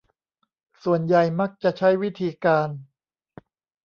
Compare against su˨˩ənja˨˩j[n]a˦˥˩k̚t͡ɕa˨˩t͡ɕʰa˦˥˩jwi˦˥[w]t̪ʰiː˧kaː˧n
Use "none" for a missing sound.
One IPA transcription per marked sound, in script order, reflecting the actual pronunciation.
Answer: m, none

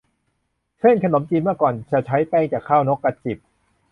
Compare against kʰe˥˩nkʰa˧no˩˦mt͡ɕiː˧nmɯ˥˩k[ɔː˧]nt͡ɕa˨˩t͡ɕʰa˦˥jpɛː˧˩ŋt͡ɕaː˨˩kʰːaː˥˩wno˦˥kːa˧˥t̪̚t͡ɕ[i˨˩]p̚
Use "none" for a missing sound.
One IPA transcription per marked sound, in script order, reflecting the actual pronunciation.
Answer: ɔː˨˩, i˨˩

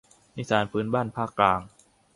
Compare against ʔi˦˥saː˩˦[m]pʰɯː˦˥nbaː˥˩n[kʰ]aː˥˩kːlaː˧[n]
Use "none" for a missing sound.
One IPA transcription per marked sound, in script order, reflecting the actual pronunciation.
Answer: n, pʰ, ŋ

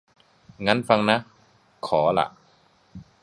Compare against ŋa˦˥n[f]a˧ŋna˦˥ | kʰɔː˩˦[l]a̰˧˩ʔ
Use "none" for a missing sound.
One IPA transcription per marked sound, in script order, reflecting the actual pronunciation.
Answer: f, l

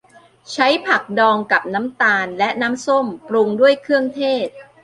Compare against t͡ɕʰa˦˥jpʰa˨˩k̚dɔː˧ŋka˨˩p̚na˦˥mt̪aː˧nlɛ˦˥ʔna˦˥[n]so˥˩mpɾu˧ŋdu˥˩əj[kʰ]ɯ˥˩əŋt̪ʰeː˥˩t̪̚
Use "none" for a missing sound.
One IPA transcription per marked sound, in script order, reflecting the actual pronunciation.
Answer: m, kʰ

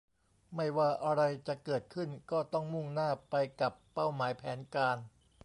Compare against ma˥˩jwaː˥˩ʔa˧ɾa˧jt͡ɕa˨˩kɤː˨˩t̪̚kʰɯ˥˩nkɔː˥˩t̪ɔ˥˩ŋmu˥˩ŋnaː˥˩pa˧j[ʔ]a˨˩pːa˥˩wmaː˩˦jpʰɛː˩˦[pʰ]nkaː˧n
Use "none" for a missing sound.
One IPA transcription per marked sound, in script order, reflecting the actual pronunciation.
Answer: k, none

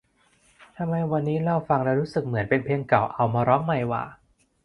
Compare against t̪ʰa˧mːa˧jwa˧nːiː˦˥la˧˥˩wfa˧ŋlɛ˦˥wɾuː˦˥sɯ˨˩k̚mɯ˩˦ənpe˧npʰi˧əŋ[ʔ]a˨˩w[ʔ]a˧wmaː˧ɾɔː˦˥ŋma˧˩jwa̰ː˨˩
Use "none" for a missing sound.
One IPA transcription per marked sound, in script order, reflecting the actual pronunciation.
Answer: k, ʔ

